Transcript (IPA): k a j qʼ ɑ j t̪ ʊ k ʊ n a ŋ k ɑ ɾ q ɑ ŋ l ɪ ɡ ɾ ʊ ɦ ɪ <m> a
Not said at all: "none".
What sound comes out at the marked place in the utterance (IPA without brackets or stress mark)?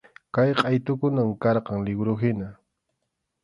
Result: n